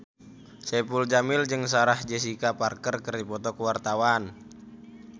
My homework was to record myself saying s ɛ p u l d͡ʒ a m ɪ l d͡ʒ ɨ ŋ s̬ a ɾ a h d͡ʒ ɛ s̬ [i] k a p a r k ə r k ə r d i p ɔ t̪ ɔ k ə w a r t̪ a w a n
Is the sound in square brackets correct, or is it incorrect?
correct